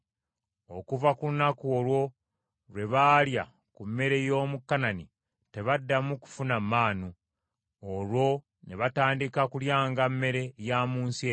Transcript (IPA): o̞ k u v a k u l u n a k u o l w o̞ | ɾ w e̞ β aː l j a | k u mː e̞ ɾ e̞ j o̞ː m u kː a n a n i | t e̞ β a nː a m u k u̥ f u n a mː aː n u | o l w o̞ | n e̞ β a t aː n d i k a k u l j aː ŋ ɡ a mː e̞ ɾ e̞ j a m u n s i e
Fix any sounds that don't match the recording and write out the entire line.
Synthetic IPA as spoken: o̞ k u v a k u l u n a k u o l w o̞ | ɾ w e̞ β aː l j a | k u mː e̞ ɾ e̞ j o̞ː m u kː a n a n i | t e̞ β a dː a m u k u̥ f u n a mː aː n u | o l w o̞ | n e̞ β a t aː n d i k a k u l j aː ŋ ɡ a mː e̞ ɾ e̞ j a m uː n s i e